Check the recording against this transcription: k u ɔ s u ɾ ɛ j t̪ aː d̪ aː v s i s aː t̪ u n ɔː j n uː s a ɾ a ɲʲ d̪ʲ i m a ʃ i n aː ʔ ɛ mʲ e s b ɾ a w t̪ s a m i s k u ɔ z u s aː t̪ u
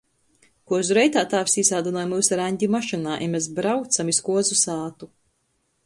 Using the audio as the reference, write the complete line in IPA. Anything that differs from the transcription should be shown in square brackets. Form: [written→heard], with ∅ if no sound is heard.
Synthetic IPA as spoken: k u ɔ [s→z] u ɾ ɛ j t̪ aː [d̪→t̪] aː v s i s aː [t̪→d̪] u n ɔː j [n→m] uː s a ɾ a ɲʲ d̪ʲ i m a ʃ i n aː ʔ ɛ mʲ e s b ɾ a w t̪ s a m i s k u ɔ z u s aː t̪ u

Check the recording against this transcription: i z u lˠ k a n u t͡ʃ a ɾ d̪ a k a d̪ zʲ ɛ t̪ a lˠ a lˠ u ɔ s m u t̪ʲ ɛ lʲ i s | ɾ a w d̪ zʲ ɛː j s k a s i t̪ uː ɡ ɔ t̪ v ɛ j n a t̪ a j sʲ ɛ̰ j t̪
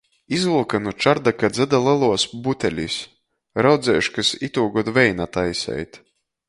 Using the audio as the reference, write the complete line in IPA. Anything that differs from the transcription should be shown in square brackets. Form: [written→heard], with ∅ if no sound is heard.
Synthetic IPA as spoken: i z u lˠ k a n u t͡ʃ a ɾ d̪ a k a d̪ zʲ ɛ [t̪→d̪] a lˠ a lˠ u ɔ s [m→b] u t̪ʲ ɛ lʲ i s | ɾ a w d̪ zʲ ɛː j [s→ʃ] k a s i t̪ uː ɡ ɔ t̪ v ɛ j n a t̪ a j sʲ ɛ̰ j t̪

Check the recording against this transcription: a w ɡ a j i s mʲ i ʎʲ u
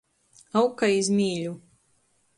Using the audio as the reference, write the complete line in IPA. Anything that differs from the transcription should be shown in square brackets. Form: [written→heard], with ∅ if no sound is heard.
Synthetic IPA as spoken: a w [ɡ→k] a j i [s→z] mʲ [i→iː] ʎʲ u

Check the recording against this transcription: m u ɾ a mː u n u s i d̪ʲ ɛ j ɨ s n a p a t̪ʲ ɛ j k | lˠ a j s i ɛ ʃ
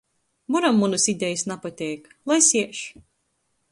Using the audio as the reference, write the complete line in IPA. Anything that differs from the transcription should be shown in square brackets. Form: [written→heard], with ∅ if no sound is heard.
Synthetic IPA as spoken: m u ɾ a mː u n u s i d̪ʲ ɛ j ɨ s n a p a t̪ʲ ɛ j k | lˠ a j s i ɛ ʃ

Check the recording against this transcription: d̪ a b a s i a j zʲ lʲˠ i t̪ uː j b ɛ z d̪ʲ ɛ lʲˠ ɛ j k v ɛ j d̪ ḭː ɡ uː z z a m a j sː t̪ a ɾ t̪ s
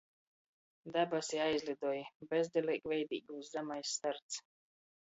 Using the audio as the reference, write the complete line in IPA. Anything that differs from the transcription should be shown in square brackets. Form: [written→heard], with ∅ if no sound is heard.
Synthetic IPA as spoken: d̪ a b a s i a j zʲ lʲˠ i [t̪→d̪] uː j b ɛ z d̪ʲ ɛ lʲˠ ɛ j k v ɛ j d̪ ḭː ɡ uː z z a m a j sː t̪ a ɾ t̪ s

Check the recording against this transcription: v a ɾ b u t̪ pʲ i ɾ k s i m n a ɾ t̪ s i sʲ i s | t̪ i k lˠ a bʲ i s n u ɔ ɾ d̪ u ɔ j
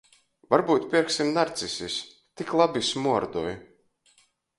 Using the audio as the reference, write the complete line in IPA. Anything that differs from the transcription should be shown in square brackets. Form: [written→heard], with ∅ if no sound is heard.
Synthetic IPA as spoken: v a ɾ b [u→uː] t̪ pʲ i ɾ k s i m n a ɾ t̪ s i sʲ i s | t̪ i k lˠ a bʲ i s [n→m] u ɔ ɾ d̪ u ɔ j

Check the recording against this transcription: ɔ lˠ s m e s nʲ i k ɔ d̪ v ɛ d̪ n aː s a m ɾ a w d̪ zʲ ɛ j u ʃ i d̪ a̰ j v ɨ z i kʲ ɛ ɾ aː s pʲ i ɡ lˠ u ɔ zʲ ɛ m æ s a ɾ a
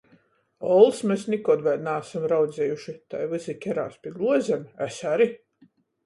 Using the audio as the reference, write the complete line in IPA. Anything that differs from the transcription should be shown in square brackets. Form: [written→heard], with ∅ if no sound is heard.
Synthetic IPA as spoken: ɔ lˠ s m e s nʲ i k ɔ d̪ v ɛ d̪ n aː s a m ɾ a w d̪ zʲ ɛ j u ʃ i [d̪→t̪] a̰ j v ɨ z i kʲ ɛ ɾ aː s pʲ i ɡ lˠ u ɔ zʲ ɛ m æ s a ɾ [a→i]

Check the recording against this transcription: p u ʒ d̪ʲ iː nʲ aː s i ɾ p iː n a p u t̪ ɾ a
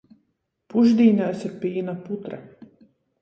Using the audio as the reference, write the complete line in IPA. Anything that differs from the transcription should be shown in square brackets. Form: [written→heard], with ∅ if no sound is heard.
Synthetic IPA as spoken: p u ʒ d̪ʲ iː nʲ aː s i ɾ p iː n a p u t̪ ɾ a

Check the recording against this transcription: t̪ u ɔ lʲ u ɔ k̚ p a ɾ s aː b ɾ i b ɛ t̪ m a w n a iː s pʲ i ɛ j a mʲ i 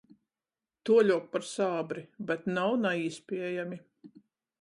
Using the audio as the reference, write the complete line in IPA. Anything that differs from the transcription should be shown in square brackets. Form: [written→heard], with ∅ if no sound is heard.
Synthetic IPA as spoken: t̪ u ɔ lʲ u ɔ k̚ p a ɾ s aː b ɾ i b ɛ t̪ [m→n] a w n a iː s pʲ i ɛ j a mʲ i

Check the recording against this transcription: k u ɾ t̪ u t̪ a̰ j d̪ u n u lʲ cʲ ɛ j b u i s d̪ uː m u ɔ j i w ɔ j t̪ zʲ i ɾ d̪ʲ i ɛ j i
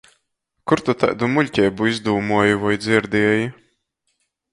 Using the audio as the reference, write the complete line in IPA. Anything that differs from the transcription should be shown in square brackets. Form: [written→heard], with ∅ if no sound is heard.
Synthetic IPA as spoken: k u ɾ t̪ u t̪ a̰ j d̪ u [n→m] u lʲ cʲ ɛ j b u i [s→z] d̪ uː m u ɔ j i [w→v] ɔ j [t̪→d̪] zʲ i ɾ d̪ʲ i ɛ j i

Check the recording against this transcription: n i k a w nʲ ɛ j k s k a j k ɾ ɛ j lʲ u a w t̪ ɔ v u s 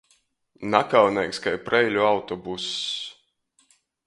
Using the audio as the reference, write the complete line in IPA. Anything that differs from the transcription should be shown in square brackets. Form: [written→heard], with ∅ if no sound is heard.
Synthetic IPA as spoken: n [i→a] k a w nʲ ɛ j k s k a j [k→p] ɾ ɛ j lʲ u a w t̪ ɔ [v→b] u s

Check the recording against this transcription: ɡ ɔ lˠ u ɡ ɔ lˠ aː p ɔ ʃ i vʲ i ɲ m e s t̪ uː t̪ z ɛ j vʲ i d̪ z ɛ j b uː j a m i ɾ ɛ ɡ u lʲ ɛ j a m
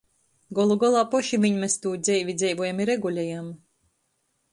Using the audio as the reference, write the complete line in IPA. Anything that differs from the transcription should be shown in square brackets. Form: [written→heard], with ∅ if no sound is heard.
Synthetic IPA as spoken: ɡ ɔ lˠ u ɡ ɔ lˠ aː p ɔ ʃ i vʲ i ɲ m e s t̪ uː [t̪→d̪] z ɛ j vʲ i d̪ z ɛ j [b→v] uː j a m i ɾ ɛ ɡ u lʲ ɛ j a m

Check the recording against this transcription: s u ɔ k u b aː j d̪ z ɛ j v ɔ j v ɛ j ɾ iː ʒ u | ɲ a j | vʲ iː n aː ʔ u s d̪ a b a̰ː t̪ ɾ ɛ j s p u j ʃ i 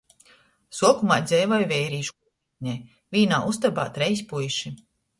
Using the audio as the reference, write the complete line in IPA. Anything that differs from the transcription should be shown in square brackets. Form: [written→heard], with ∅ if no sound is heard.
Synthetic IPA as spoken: s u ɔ k u [b→m] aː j d̪ z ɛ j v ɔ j v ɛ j ɾ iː [ʒ→ʃ] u | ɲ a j | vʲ iː n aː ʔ u s [d̪→t̪] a b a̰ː t̪ ɾ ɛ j s p u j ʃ i

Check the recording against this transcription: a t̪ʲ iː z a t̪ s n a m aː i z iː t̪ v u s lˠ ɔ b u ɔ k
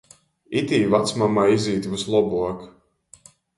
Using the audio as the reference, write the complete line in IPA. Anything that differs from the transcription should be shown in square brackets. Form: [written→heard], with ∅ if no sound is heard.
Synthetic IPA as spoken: [a→i] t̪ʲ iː [z→v] a t̪ s [n→m] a m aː i z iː t̪ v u s lˠ ɔ b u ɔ k

